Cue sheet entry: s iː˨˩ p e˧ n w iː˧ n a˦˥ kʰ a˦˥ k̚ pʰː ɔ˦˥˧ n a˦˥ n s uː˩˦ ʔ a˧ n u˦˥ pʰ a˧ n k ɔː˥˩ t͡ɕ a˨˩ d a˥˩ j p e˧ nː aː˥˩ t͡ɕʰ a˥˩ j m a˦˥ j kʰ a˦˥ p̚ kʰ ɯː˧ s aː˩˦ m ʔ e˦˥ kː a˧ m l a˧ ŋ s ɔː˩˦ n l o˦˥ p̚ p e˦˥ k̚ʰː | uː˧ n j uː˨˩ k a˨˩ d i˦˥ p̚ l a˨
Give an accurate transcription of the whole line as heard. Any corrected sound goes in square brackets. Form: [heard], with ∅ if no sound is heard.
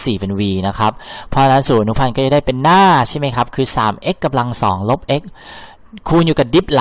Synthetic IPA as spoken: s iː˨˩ p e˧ n w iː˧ n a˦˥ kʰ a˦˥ [p̚] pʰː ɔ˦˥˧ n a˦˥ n s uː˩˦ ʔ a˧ n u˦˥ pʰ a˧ n k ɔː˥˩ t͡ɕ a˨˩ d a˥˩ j p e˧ nː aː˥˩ t͡ɕʰ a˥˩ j m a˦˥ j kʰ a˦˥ p̚ kʰ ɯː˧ s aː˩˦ m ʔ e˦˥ kː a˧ m l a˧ ŋ s ɔː˩˦ [ŋ] l o˦˥ p̚ [ʔ] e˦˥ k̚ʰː | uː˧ n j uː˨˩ k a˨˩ d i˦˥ p̚ l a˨